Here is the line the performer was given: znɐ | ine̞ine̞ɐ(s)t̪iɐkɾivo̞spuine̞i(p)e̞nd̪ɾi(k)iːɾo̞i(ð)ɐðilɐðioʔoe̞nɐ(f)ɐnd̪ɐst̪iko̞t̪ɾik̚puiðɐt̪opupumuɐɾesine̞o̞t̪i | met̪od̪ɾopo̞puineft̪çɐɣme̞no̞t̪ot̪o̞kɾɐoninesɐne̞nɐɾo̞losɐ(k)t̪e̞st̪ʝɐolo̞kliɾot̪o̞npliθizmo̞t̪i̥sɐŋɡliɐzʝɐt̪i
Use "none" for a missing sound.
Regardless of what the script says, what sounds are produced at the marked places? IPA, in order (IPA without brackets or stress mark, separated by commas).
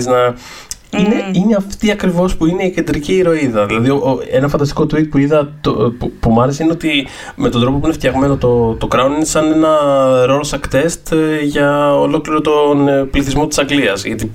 f, c, c, ð, f, k